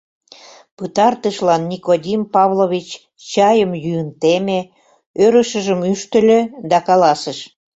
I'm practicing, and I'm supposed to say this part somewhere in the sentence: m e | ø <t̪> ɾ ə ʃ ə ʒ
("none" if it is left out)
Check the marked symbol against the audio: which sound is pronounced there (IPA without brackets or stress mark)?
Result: none